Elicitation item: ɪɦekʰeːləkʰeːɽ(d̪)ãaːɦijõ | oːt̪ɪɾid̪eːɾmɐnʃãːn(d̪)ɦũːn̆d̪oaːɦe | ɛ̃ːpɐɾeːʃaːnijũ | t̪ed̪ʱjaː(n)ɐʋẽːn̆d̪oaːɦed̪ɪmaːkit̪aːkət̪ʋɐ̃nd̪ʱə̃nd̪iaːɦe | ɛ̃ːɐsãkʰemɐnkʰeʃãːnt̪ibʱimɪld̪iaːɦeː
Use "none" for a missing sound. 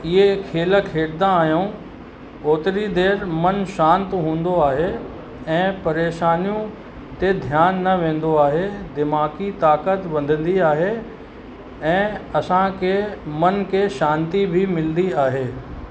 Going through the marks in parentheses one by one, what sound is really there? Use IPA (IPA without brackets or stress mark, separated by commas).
d̪, t̪, nː